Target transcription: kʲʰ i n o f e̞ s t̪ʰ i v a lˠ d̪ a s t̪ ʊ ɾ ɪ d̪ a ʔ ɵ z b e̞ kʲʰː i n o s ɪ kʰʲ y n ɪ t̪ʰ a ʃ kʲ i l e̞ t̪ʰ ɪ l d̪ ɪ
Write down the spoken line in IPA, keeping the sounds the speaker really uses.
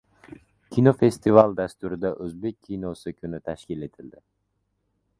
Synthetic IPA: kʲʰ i n o f e̞ s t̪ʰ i v a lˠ d̪ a s t̪ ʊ ɾ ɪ d̪ a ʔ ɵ z b e̞ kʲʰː i n o s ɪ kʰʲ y n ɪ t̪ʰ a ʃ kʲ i l e̞ t̪ʰ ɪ l d̪ ɪ